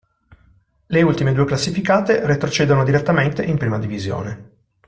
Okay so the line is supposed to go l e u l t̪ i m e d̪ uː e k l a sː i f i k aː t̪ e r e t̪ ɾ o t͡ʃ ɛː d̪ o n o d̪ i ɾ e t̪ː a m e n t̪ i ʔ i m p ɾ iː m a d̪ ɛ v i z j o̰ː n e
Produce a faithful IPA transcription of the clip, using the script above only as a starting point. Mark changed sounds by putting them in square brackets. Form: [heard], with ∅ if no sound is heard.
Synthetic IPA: l e u l t̪ i m e d̪ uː e k l a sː i f i k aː t̪ e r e t̪ ɾ o t͡ʃ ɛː d̪ o n o d̪ i ɾ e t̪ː a m e n t̪ [e] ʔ i m p ɾ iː m a d̪ [i] v i z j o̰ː n e